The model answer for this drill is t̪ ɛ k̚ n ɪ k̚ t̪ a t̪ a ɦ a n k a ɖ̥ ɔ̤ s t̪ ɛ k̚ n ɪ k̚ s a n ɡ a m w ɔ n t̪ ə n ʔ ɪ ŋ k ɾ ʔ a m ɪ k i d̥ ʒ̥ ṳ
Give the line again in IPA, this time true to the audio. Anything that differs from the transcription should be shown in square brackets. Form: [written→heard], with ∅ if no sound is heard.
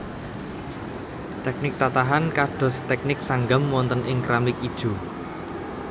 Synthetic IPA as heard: t̪ ɛ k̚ n ɪ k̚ t̪ a t̪ a ɦ a n k a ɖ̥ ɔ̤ s t̪ ɛ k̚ n ɪ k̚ s a [n→ŋ] ɡ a m w ɔ n t̪ ə n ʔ ɪ ŋ k ɾ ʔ a m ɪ k i d̥ ʒ̥ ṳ